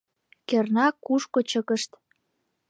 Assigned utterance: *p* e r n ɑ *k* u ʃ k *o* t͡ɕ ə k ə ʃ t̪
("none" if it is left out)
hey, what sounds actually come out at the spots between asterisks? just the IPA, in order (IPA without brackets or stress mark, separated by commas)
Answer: k, k, o